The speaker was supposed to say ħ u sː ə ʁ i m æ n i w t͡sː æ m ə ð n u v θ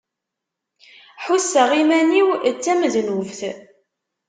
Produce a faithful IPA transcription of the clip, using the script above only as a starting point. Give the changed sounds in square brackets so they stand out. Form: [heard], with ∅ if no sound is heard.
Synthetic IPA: ħ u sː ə ʁ i m æ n i w t͡sː æ m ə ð n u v θ